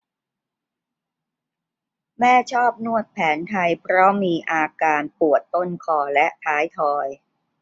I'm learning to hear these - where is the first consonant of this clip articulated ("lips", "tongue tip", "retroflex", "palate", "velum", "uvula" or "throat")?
lips